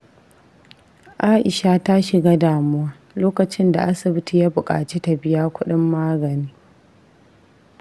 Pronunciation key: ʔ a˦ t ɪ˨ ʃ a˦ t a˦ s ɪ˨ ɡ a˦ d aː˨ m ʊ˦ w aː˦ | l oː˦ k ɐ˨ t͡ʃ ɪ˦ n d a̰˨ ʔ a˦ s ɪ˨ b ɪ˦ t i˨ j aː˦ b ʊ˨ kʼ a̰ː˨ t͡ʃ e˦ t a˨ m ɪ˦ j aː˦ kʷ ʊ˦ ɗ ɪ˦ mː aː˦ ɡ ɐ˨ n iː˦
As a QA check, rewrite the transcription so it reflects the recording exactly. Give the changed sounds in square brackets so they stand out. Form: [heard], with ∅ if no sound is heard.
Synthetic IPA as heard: ʔ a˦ [ʔ] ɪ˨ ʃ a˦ t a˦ [ʃ] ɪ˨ ɡ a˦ d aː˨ m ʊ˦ w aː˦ | l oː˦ k ɐ˨ t͡ʃ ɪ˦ n d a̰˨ ʔ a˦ s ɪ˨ b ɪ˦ t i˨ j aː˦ b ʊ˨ kʼ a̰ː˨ t͡ʃ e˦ t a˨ [b] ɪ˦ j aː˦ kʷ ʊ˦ ɗ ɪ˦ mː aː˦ ɡ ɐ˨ n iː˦